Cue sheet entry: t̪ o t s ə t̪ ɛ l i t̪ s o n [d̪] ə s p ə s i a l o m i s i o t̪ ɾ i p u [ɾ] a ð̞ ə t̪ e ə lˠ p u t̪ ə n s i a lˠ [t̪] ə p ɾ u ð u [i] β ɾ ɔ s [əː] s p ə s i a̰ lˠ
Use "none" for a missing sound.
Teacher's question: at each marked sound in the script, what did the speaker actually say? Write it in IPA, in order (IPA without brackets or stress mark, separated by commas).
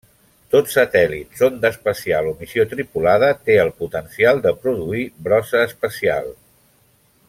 d̪, l, d̪, i, əː